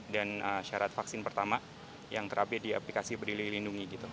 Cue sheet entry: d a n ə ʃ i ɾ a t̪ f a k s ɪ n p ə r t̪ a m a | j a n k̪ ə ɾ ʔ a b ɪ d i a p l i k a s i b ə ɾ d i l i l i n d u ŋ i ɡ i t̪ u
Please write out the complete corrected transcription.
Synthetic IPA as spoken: d a n ə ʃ a ɾ a t̪ f a k s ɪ n p ə r t̪ a m a | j a ŋ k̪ ə ɾ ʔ a b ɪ d i a p l i k a s i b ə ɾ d i l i l i n d u ŋ i ɡ i t̪ u